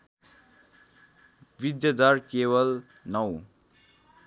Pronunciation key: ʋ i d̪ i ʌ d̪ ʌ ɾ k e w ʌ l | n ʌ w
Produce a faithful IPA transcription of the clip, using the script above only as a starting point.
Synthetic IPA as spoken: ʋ i d̪ j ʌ d̪ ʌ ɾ k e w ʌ l | n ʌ w